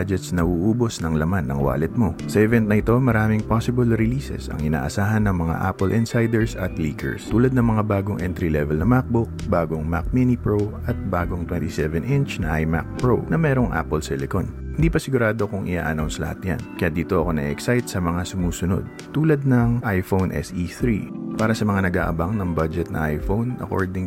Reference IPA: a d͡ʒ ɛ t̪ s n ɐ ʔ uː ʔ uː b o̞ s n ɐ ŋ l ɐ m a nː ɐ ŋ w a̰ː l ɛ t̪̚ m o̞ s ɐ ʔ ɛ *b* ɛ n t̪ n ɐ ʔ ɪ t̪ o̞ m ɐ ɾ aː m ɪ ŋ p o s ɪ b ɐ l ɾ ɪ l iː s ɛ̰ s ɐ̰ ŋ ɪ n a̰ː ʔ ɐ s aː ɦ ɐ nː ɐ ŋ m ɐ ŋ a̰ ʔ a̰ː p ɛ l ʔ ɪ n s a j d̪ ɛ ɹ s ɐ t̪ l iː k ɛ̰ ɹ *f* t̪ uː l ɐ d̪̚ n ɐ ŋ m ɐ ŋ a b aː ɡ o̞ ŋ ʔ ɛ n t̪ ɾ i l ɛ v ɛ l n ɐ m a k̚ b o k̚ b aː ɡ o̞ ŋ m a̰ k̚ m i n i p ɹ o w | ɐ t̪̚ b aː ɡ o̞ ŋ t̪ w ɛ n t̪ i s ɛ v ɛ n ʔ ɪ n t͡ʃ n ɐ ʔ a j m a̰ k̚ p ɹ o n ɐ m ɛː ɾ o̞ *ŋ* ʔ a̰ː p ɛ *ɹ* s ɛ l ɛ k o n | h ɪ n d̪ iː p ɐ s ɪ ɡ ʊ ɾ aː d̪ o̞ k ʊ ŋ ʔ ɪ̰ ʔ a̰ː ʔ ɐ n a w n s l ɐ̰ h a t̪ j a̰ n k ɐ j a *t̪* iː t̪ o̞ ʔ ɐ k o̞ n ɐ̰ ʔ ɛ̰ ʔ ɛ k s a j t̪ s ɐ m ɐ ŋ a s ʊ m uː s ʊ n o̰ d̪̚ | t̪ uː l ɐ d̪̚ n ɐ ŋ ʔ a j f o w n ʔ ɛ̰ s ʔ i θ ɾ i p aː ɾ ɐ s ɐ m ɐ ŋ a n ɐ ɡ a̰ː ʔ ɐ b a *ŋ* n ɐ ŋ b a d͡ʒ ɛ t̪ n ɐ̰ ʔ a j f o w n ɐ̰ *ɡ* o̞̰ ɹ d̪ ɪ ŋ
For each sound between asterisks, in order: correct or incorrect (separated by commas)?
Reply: incorrect, incorrect, correct, incorrect, incorrect, correct, incorrect